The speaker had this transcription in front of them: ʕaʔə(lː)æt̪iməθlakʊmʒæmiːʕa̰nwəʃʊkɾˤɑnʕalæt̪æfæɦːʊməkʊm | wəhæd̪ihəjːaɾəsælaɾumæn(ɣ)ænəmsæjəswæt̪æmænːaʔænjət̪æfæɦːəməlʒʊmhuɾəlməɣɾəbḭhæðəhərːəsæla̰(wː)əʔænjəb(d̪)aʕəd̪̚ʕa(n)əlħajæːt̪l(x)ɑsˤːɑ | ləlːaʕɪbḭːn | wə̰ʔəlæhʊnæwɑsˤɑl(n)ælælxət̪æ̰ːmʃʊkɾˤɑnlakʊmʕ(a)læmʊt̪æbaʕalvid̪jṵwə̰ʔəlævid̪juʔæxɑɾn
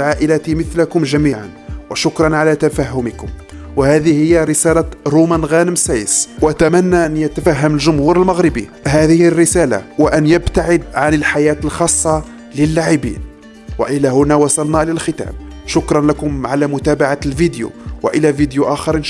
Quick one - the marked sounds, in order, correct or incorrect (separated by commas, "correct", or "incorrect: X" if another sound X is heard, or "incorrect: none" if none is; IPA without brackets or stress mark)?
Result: incorrect: l, correct, incorrect: w, incorrect: t̪, correct, correct, correct, correct